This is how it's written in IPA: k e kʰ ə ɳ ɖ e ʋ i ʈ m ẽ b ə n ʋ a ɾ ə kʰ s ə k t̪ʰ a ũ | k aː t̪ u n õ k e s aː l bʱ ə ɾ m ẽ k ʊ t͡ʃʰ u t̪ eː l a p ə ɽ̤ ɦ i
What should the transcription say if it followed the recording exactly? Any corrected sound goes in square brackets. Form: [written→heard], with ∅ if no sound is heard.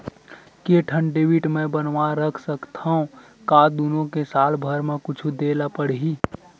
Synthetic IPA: k e [kʰ→ʈʰ] ə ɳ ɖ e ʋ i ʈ m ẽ b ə n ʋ a ɾ ə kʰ s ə k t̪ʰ a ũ | k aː [t̪→d̪] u n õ k e s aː l bʱ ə ɾ m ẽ k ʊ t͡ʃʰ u [t̪→d̪] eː l a p ə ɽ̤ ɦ i